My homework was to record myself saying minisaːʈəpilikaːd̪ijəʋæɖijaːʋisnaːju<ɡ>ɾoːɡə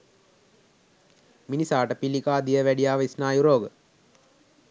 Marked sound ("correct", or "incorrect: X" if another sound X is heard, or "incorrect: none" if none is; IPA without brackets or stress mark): incorrect: none